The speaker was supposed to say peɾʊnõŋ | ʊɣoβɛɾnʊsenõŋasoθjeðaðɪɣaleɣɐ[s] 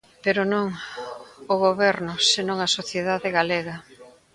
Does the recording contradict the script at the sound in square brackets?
yes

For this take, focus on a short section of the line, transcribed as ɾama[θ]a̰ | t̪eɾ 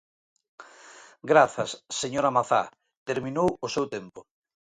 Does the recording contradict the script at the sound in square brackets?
no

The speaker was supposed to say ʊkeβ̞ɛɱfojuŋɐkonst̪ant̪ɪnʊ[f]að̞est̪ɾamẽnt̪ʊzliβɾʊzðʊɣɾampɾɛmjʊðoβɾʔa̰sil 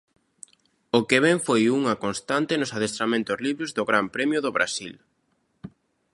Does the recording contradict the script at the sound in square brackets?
yes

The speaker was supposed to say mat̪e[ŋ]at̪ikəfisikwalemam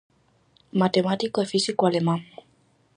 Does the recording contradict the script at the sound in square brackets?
yes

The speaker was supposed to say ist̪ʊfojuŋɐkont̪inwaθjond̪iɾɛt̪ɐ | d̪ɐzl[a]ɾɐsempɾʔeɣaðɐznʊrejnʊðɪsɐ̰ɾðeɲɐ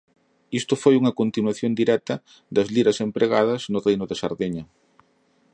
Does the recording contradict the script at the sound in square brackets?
yes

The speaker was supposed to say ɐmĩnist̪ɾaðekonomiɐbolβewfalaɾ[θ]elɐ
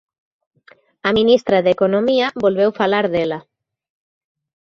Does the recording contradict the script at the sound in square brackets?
yes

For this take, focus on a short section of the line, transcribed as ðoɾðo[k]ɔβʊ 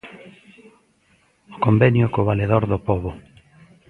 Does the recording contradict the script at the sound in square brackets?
yes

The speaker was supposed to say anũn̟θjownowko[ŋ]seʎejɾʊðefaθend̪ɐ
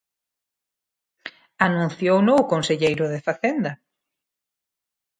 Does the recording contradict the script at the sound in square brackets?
yes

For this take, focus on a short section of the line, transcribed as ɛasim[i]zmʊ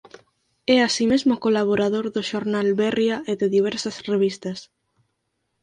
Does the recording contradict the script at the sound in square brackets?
yes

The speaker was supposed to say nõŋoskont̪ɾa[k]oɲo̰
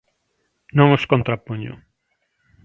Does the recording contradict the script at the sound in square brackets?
yes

